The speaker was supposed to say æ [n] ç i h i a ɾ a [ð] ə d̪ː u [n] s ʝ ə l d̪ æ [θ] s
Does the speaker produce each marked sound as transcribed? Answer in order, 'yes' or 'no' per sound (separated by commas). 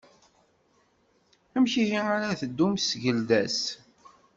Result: no, no, no, no